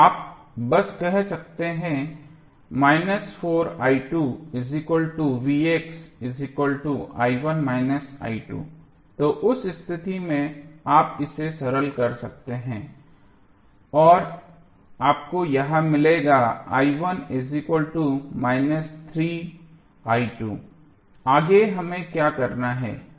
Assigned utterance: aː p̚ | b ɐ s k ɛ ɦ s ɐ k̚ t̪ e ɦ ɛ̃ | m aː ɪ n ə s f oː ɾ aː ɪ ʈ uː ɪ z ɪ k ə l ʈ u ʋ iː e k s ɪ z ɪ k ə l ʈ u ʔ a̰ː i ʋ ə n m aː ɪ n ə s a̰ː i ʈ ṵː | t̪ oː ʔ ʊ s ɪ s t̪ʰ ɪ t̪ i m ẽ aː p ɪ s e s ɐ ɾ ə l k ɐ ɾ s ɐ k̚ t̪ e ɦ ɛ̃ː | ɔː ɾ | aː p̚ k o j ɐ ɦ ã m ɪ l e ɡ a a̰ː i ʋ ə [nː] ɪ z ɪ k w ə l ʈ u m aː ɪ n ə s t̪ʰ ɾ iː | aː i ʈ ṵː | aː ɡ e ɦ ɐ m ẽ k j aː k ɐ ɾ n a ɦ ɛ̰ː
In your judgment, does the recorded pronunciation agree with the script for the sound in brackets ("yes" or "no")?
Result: no